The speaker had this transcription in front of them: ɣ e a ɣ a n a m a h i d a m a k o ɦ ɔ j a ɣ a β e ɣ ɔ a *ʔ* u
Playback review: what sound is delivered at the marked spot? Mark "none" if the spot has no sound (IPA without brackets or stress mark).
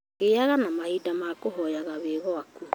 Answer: k